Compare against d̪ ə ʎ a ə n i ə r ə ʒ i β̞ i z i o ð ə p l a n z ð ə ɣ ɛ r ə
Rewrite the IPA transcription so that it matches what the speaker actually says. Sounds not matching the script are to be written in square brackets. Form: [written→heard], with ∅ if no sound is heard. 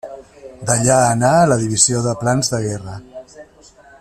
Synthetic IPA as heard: d̪ ə ʎ a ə n [i→a] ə [r→l] ə [ʒ→ð] i β̞ i z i o ð ə p l a n z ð ə ɣ ɛ r ə